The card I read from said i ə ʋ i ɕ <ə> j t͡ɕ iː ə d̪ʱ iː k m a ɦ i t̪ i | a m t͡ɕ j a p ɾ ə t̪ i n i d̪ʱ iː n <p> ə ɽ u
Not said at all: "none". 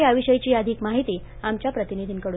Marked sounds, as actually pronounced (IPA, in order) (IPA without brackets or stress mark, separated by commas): ə, k